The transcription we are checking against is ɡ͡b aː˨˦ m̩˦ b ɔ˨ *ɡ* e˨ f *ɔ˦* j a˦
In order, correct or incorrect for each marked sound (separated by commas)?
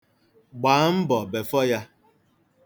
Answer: incorrect, correct